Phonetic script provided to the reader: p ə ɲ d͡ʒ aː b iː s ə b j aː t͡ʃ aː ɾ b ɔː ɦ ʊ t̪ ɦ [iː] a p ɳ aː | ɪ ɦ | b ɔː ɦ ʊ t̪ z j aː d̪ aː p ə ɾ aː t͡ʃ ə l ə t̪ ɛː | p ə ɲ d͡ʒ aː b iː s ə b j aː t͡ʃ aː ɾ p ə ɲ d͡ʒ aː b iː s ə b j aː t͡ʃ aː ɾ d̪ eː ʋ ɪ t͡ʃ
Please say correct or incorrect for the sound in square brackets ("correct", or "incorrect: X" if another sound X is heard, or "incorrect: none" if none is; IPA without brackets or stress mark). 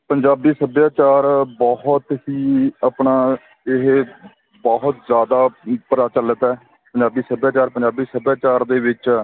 correct